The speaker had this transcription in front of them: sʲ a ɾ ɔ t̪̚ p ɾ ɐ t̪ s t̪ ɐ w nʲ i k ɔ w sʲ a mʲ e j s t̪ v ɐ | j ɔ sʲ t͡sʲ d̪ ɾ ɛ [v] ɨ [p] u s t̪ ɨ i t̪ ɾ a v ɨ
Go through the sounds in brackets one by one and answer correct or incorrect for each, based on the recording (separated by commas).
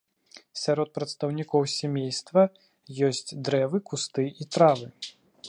correct, incorrect